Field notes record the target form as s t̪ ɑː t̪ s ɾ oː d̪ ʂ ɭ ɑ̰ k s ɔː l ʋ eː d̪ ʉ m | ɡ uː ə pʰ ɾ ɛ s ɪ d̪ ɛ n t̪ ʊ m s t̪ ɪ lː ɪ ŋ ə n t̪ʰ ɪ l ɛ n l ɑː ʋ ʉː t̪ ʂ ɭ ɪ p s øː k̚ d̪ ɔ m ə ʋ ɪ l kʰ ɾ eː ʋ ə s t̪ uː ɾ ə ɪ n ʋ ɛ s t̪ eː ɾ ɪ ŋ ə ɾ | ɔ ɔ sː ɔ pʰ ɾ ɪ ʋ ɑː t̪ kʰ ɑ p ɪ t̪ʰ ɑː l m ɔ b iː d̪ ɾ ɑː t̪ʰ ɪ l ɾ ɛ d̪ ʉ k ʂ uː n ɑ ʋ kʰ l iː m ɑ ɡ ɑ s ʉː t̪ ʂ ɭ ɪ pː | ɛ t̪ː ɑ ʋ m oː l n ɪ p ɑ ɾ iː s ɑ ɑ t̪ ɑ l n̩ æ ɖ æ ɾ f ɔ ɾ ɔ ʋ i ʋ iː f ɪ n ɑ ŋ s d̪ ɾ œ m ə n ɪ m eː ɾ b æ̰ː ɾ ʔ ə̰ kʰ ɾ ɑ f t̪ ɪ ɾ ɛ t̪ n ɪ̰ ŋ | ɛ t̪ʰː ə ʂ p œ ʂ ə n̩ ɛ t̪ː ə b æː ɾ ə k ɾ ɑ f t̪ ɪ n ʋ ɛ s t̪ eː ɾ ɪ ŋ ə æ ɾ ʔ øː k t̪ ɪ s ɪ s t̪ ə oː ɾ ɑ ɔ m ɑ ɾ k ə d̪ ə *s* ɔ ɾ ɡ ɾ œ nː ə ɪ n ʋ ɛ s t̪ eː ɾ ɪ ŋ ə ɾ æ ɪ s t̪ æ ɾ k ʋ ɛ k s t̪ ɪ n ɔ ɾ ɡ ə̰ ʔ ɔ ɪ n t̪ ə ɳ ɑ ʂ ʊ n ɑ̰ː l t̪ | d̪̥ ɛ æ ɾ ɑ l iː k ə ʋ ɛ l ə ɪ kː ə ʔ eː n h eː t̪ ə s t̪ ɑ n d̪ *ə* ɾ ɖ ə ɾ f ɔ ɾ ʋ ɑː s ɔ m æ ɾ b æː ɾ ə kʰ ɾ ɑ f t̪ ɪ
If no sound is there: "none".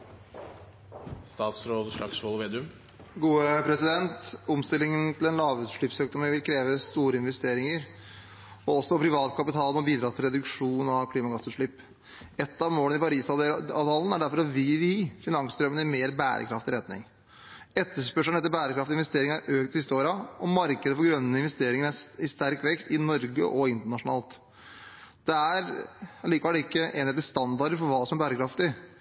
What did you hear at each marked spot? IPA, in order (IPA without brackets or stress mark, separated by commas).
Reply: f, ɑ